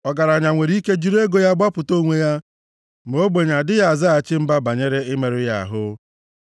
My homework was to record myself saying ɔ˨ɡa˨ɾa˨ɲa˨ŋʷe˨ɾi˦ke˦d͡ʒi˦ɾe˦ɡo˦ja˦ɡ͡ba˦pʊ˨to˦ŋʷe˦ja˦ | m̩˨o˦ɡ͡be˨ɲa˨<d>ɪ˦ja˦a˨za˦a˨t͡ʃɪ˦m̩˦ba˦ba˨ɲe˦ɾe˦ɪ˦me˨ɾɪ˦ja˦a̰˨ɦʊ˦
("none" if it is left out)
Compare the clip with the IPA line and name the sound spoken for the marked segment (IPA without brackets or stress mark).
d